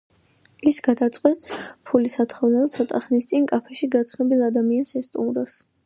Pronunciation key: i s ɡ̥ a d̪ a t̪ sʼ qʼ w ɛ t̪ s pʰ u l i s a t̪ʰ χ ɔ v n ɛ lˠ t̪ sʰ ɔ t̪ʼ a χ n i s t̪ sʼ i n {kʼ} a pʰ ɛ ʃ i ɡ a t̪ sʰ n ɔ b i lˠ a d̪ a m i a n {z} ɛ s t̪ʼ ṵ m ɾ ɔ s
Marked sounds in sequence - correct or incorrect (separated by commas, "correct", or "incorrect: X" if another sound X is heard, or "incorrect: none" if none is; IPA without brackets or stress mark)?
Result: correct, incorrect: s